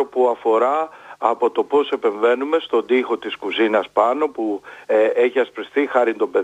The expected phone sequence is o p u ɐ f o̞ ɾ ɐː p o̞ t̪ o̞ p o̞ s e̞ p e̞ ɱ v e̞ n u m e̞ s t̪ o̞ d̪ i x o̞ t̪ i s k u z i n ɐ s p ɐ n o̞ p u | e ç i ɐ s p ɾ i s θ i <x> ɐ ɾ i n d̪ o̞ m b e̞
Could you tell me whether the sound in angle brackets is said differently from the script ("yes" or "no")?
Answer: no